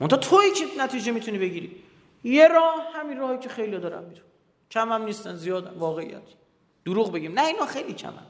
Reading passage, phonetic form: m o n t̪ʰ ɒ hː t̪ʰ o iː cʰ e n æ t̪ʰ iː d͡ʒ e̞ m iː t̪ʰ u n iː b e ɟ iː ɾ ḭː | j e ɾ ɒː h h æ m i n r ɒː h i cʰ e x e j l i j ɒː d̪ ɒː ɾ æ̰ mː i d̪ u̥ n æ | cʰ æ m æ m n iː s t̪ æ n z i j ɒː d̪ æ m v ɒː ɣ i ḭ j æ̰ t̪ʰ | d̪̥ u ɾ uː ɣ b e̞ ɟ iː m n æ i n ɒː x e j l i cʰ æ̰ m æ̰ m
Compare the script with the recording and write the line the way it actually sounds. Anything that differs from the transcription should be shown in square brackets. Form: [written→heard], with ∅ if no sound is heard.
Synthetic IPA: m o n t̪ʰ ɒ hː t̪ʰ o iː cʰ e n æ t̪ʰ iː d͡ʒ e̞ m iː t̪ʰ u n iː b e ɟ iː ɾ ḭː | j e ɾ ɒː h h æ m i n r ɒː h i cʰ e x e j l i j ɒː d̪ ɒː ɾ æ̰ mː i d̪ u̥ n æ | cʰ æ m æ m n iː s t̪ æ n z i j ɒː d̪ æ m v ɒː ɣ [i→e] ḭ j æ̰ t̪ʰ | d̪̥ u ɾ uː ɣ b e̞ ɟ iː m n æ i n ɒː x e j l i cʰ æ̰ m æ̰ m